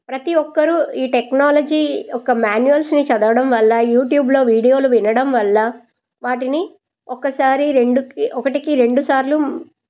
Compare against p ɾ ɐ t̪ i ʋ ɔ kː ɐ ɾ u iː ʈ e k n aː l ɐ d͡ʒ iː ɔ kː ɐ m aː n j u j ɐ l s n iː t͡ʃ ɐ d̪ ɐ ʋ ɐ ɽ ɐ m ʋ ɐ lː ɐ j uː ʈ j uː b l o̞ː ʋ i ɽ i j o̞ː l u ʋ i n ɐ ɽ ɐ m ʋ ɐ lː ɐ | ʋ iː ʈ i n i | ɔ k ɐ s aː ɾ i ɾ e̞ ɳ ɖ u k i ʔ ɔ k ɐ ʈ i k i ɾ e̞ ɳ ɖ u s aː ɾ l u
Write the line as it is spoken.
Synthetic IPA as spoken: p ɾ ɐ t̪ i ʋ ɔ kː ɐ ɾ u iː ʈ e k n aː l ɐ d͡ʒ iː ɔ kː ɐ m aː n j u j ɐ l s n i t͡ʃ ɐ d̪ ɐ ʋ ɐ ɽ ɐ m ʋ ɐ lː ɐ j uː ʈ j uː b l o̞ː ʋ iː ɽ i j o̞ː l u ʋ i n ɐ ɽ ɐ m ʋ ɐ lː ɐ | ʋ aː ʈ i n i | ɔ k ɐ s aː ɾ i ɾ e̞ ɳ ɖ u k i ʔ ɔ k ɐ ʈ i k i ɾ e̞ ɳ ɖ u s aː ɾ l u

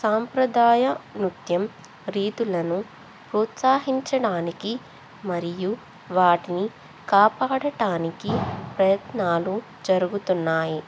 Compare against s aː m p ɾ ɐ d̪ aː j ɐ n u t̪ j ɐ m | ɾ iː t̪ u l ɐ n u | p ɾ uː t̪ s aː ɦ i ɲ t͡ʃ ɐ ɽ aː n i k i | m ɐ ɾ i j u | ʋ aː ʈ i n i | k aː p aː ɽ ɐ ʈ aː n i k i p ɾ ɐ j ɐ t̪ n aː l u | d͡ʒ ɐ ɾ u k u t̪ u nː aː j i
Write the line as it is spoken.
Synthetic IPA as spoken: s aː m p ɾ ɐ d̪ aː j ɐ n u t̪ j ɐ m | ɾ iː t̪ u l ɐ n u | p ɾ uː t̪ s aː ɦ i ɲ t͡ʃ ɐ ɽ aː n i k i | m ɐ ɾ i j u | ʋ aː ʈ i n i | k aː p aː ɽ ɐ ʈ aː n i k i p ɾ ɐ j ɐ t̪ n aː l u | d͡ʒ ɐ ɾ u ɡ u t̪ u nː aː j i

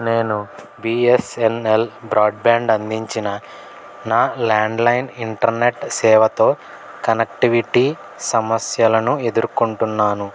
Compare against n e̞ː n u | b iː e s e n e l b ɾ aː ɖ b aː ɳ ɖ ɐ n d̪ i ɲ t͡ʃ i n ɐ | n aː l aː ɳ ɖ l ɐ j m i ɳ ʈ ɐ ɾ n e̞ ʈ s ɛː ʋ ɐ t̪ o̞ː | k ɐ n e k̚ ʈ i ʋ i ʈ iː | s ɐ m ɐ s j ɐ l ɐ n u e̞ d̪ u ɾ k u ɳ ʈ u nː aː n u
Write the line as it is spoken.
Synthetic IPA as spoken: n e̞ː n u | b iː e s e n e l b ɾ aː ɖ b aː ɳ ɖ ɐ n d̪ i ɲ t͡ʃ i n ɐ | n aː l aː ɳ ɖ l ɐ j n i ɳ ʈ ɐ ɾ n e̞ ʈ s ɛː ʋ ɐ t̪ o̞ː | k ɐ n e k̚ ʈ i ʋ i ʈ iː | s ɐ m ɐ s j ɐ l ɐ n u e̞ d̪ u ɾ k u ɳ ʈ u nː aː n u

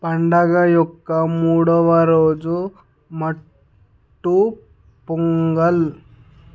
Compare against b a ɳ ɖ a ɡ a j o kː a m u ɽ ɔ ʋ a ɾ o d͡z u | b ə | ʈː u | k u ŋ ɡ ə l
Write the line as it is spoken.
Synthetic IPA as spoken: p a ɳ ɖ a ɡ a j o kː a m u ɽ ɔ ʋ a ɾ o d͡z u | m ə | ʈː u | p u ŋ ɡ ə l

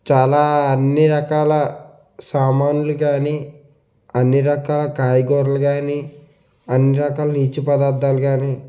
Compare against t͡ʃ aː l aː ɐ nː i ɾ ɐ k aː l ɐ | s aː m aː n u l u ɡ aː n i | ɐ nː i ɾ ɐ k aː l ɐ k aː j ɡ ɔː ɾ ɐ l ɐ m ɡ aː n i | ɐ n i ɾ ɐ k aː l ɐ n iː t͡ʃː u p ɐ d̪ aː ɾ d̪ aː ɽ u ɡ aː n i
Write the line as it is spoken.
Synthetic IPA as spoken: t͡ʃ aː l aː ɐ nː i ɾ ɐ k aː l ɐ | s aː m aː n u l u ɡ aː n i | ɐ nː i ɾ ɐ k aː l ɐ k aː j ɡ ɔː ɾ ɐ l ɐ ɡ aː n i | ɐ nː i ɾ ɐ k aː l ɐ n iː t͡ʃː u p ɐ d̪ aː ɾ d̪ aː l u ɡ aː n i

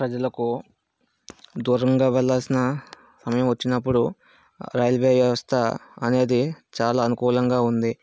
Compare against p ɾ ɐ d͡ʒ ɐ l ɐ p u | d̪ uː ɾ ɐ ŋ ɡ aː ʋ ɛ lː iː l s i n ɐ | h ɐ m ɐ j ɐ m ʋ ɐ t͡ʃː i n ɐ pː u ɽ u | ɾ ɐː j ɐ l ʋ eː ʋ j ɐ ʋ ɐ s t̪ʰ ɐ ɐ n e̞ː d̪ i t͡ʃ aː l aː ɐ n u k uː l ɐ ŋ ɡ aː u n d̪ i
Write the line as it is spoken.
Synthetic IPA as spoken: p ɾ ɐ d͡ʒ ɐ l ɐ k u | d̪ uː ɾ ɐ ŋ ɡ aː ʋ ɛ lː aː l s i n ɐ | s ɐ m ɐ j ɐ m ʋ ɐ t͡ʃː i n ɐ pː u ɽ u | ɾ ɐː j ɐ l ʋ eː ʋ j ɐ ʋ ɐ s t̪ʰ ɐ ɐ n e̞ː d̪ i t͡ʃ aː l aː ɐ n u k uː l ɐ ŋ ɡ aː u n d̪ i

